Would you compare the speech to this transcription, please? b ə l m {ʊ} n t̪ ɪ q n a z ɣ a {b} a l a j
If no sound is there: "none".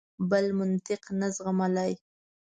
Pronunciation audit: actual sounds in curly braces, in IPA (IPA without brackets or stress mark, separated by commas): ʊ, m